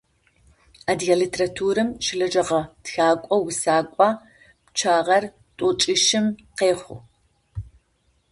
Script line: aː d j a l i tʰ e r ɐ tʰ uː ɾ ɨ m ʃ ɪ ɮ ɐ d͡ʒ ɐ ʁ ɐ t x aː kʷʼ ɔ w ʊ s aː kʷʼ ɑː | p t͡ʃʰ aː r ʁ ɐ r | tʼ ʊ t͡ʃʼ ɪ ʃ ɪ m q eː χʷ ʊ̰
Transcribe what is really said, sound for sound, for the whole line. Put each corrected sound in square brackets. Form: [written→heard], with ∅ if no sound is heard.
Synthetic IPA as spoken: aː d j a l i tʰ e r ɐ tʰ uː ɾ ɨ m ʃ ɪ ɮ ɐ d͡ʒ ɐ ʁ ɐ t x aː kʷʼ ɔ w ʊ s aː kʷʼ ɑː | p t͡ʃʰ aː [r→∅] ʁ ɐ r | tʼ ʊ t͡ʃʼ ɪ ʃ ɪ m q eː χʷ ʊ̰